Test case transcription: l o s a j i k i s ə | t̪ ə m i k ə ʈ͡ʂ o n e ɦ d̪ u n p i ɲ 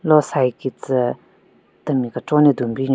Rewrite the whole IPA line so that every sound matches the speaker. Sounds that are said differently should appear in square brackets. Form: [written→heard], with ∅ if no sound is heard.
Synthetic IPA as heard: l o s a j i k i [s→t͡s] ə | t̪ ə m i k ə ʈ͡ʂ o n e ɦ d̪ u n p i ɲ